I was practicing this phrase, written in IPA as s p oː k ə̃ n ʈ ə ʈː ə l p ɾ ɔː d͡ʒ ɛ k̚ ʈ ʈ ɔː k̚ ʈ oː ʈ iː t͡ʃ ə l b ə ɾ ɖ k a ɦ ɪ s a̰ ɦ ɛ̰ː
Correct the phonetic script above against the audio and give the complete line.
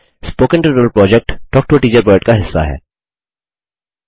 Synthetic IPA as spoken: s p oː k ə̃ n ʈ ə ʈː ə l p ɾ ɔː d͡ʒ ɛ k̚ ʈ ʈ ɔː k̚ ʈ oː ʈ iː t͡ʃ ə ɾ b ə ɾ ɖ k a ɦ ɪ sː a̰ ɦ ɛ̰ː